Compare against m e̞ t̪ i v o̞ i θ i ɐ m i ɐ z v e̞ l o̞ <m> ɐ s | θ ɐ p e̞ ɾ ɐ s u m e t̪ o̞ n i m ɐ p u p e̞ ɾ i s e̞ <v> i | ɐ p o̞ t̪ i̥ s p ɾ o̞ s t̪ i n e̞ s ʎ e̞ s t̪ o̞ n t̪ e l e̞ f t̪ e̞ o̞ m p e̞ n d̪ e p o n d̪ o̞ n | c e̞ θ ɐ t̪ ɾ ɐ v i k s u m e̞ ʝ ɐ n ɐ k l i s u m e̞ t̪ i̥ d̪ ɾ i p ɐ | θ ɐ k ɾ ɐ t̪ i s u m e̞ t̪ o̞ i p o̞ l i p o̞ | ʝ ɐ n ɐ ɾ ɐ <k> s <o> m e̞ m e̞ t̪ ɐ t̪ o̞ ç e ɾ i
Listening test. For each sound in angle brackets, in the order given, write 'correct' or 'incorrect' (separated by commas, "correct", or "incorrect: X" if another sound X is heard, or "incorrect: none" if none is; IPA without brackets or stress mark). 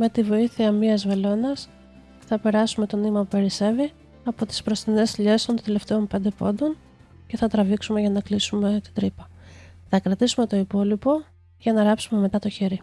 incorrect: n, correct, incorrect: p, incorrect: u